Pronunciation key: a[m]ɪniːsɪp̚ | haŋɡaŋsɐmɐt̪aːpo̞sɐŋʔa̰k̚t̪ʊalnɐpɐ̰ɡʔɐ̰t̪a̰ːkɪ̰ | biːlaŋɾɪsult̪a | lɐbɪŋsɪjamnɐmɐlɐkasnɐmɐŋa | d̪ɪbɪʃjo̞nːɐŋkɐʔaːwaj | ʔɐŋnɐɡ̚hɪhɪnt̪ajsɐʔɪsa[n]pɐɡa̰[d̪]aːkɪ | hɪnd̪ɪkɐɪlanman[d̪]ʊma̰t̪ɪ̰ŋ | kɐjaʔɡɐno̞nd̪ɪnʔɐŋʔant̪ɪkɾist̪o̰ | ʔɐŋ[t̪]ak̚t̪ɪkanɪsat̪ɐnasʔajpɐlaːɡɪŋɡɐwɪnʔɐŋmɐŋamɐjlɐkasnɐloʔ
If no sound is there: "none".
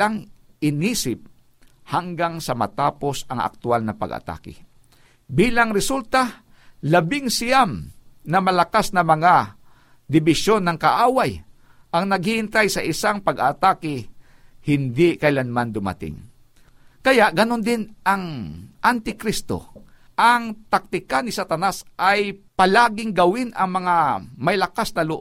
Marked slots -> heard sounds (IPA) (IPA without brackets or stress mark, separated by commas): ŋ, ŋ, t̪, d̪, t̪